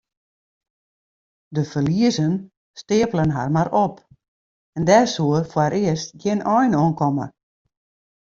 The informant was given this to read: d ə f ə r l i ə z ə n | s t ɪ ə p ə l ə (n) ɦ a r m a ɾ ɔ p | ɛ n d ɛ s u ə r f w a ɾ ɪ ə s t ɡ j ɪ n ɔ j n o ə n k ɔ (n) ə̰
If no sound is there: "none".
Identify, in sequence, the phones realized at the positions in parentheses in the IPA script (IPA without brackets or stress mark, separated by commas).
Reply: n, m